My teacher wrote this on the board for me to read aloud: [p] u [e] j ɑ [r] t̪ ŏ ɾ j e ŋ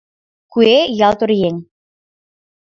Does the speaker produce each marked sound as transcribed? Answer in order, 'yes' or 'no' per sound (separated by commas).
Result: no, yes, no